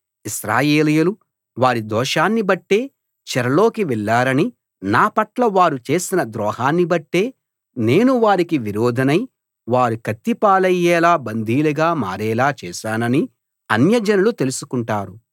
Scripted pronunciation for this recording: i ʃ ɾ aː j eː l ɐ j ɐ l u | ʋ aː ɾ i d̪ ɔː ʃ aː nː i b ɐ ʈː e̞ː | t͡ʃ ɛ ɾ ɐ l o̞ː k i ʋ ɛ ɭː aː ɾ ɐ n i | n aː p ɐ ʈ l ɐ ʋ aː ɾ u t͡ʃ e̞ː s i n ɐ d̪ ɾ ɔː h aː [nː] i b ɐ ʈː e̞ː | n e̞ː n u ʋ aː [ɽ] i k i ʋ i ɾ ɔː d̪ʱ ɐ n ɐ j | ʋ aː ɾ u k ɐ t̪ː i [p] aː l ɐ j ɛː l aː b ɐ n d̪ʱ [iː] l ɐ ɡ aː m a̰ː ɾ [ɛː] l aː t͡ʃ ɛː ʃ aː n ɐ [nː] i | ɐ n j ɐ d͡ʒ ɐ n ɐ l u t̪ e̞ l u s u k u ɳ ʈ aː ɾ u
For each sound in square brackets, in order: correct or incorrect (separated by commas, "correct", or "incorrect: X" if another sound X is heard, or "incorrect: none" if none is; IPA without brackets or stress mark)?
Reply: correct, incorrect: ɾ, correct, correct, correct, incorrect: n